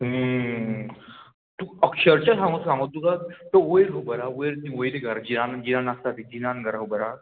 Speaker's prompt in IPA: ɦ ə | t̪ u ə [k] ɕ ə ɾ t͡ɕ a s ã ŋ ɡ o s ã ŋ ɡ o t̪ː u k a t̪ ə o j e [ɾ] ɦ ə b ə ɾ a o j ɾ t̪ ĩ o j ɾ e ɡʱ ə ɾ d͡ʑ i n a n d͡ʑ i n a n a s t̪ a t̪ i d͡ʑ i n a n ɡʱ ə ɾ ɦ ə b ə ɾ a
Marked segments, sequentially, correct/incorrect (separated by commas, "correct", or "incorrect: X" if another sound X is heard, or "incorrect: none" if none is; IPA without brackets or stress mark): correct, correct